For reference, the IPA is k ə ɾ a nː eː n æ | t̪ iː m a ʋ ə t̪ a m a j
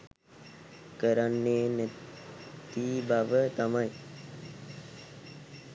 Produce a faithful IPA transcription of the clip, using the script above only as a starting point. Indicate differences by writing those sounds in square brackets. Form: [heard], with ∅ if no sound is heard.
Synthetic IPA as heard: k ə ɾ a nː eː n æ | t̪ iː [b] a ʋ ə t̪ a m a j